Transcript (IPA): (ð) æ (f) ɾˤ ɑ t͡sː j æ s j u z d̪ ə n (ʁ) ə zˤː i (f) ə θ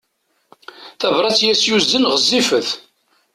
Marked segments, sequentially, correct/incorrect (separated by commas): incorrect, incorrect, correct, correct